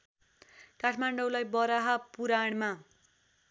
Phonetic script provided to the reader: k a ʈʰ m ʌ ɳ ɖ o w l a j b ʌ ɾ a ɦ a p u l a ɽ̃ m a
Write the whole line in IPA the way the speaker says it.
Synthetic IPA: k a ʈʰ m a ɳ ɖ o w l a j b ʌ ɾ a ɦ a p u ɾ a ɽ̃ m a